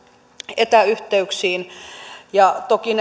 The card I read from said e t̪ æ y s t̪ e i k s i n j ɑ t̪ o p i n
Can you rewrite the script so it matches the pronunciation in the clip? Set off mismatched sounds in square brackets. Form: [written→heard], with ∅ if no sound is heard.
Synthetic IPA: e t̪ æ y [s→h] t̪ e [i→y] k s [i→iː] n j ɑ t̪ o [p→k] i n